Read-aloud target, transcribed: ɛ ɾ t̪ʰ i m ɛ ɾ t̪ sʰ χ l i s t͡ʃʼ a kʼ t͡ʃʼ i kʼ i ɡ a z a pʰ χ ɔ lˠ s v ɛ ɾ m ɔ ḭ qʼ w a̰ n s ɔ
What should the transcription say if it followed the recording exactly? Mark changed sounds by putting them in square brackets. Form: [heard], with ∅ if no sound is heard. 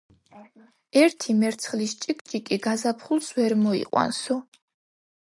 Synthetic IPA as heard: ɛ ɾ t̪ʰ i m ɛ ɾ t̪ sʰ χ l i s t͡ʃʼ [i] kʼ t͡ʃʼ i kʼ i ɡ a z a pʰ χ [u] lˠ s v ɛ ɾ m ɔ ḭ qʼ w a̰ n s ɔ

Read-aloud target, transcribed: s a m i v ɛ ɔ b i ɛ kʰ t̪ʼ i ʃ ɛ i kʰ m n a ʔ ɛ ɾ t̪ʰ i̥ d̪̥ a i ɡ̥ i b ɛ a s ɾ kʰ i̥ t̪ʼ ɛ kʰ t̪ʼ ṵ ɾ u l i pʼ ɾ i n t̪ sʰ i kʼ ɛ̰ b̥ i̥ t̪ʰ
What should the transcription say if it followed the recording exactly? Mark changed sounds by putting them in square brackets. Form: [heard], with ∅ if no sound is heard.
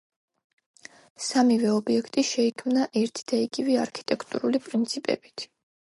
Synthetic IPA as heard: s a m i v ɛ ɔ b i ɛ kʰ t̪ʼ i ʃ ɛ i kʰ m n a ʔ ɛ ɾ t̪ʰ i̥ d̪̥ a i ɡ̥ i [v] ɛ a [∅] ɾ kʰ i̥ t̪ʼ ɛ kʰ t̪ʼ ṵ ɾ u l i pʼ ɾ i n t̪ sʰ i [pʼ] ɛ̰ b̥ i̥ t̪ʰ

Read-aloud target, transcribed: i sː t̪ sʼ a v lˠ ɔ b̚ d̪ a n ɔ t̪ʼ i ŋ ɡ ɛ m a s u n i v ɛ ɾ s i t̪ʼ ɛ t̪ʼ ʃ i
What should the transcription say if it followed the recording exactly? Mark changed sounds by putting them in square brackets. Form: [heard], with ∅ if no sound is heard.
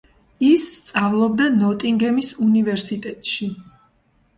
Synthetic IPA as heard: i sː t̪ sʼ a v lˠ ɔ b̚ d̪ a n ɔ t̪ʼ i ŋ ɡ ɛ m [i] s u n i v ɛ ɾ s i t̪ʼ ɛ t̪ʼ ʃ i

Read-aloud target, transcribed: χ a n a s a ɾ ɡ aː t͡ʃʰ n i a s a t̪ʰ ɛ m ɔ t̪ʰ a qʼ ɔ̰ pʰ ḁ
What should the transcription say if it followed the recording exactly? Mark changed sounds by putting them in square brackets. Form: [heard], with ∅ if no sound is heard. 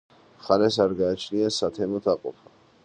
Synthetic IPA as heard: χ a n [ɛ] s a ɾ ɡ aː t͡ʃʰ n i a s a t̪ʰ ɛ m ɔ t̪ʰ a qʼ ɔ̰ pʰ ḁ

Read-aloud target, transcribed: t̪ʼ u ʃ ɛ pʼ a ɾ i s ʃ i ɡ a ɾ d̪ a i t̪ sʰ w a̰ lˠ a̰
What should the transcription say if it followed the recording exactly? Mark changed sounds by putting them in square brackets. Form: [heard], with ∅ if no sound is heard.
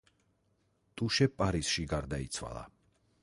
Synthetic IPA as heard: t̪ʼ u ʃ ɛ pʼ a ɾ i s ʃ i ɡ a ɾ d̪ a i t̪ sʰ w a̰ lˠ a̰

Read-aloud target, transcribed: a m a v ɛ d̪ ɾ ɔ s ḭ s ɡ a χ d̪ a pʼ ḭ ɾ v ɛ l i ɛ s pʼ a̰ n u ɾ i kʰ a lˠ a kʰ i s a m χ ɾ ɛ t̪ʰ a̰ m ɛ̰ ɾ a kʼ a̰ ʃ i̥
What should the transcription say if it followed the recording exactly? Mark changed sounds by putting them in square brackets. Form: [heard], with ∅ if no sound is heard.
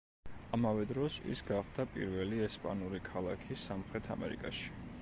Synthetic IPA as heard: a m a v ɛ d̪ ɾ ɔ s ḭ s ɡ a χ d̪ a pʼ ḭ ɾ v ɛ l i ɛ s pʼ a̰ n u ɾ i kʰ a lˠ a kʰ i s a m χ ɾ ɛ t̪ʰ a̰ m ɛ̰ ɾ [i] kʼ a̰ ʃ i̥

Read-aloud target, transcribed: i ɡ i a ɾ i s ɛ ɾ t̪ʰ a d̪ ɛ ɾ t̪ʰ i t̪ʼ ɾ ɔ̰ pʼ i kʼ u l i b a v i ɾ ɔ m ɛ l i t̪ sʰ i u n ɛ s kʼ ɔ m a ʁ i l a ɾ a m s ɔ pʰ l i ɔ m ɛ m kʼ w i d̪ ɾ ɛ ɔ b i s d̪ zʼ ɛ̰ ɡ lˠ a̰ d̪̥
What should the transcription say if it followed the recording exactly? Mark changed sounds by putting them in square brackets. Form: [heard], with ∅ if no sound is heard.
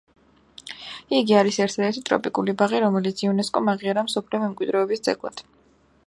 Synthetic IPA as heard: i ɡ i a ɾ i s ɛ ɾ t̪ʰ a d̪ ɛ ɾ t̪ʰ i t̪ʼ ɾ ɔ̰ pʼ i kʼ u l i b a [ʁ] i ɾ ɔ m ɛ l i t̪ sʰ i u n ɛ s kʼ ɔ m a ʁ i [∅] a ɾ a m s ɔ pʰ l i ɔ m ɛ m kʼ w i d̪ ɾ ɛ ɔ b i s d̪ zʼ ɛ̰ ɡ lˠ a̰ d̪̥

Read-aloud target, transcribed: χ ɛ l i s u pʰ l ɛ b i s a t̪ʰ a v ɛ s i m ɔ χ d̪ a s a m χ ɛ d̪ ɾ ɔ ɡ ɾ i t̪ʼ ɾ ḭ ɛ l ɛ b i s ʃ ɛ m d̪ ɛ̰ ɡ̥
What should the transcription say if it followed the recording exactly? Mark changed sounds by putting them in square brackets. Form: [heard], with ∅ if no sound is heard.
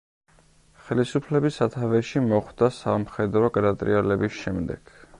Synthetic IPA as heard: χ ɛ l i s u pʰ l ɛ b i s a t̪ʰ a v ɛ [ʃ] i m ɔ χ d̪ a s a m χ ɛ d̪ ɾ ɔ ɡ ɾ [a] t̪ʼ ɾ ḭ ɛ l ɛ b i s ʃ ɛ m d̪ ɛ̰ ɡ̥

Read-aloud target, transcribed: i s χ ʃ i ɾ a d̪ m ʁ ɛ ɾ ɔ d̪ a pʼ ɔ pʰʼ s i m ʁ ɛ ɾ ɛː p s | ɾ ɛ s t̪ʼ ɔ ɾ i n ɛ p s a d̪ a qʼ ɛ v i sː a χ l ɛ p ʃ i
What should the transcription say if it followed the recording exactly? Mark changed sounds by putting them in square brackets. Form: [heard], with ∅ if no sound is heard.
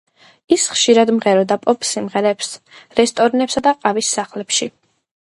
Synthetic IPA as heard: i s χ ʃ i ɾ a d̪ m ʁ ɛ ɾ ɔ d̪ a pʼ ɔ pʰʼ s i m ʁ ɛ ɾ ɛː p s | ɾ ɛ s t̪ʼ ɔ ɾ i n ɛ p s a d̪ a qʼ [a] v i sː a χ l ɛ p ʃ i

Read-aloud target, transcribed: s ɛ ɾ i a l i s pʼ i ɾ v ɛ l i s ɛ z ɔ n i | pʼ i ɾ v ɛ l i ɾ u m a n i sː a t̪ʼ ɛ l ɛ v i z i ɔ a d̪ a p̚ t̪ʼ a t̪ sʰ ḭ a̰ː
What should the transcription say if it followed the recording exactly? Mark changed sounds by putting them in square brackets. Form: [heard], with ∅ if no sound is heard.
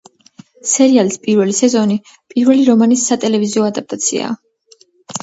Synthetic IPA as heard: s ɛ ɾ i a l i s pʼ i ɾ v ɛ l i s ɛ z ɔ n i | pʼ i ɾ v ɛ l i ɾ [ɔ] m a n i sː a t̪ʼ ɛ l ɛ v i z i ɔ a d̪ a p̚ t̪ʼ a t̪ sʰ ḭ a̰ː

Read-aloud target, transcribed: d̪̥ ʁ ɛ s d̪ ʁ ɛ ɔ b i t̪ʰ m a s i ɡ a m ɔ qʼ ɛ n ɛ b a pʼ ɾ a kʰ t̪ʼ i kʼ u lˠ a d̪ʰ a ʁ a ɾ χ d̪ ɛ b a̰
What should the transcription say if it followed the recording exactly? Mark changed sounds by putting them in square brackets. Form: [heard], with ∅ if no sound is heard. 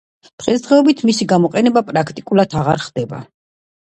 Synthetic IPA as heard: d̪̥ ʁ ɛ s d̪ ʁ ɛ ɔ b i t̪ʰ m [i] s i ɡ a m ɔ qʼ ɛ n ɛ b a pʼ ɾ a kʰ t̪ʼ i kʼ u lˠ a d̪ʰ a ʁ a ɾ χ d̪ ɛ b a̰

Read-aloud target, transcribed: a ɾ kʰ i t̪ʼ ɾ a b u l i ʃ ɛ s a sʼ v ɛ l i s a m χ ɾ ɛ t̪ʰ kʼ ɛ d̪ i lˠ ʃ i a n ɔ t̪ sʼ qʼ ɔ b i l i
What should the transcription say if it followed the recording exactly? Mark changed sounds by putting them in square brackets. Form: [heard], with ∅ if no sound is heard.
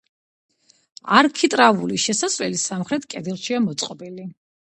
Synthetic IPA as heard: a ɾ kʰ i t̪ʼ ɾ a [v] u l i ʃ ɛ s a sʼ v ɛ l i s a m χ ɾ ɛ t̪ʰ kʼ ɛ d̪ i lˠ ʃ i a [m] ɔ t̪ sʼ qʼ ɔ b i l i

